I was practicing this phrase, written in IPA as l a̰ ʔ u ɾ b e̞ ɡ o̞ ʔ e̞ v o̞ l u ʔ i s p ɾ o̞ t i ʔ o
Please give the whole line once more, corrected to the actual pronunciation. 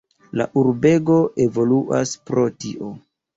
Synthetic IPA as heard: l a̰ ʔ u ɾ b e̞ ɡ o̞ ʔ e̞ v o̞ l u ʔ a s p ɾ o̞ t i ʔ o